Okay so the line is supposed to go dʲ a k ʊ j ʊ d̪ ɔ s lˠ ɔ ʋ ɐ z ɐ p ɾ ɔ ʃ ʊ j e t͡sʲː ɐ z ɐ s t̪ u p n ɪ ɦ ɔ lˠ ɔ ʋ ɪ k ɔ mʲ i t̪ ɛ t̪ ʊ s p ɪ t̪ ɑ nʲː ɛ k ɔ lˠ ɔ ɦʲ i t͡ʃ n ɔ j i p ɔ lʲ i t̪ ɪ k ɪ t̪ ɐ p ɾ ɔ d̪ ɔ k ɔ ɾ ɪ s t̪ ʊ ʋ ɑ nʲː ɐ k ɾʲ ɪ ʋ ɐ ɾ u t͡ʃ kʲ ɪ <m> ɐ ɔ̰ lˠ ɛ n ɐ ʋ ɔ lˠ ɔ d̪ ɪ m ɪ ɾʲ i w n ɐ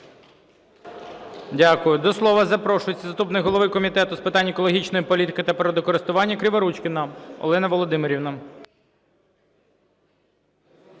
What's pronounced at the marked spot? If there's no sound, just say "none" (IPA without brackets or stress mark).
n